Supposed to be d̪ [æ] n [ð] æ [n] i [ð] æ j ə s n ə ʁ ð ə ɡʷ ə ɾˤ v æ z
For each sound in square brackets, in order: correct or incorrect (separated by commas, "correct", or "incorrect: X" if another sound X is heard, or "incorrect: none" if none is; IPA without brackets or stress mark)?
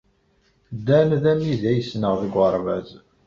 correct, correct, incorrect: m, correct